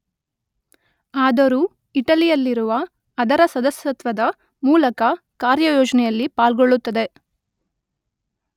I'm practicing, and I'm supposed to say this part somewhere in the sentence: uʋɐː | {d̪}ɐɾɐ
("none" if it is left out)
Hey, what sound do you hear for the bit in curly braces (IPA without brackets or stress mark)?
d̪